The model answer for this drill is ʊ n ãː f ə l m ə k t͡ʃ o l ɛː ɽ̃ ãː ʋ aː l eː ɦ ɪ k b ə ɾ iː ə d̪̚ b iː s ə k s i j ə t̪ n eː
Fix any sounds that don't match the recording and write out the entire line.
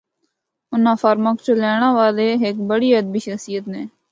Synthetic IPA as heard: ʊ n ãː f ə ɾ m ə k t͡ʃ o l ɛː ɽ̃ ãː ʋ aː l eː ɦ ɪ k b ə ɽ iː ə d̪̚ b iː ʃ ə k s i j ə t̪ n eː